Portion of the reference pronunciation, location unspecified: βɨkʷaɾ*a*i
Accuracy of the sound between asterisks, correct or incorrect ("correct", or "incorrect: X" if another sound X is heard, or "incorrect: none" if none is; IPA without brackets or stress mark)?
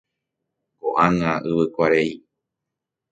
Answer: incorrect: e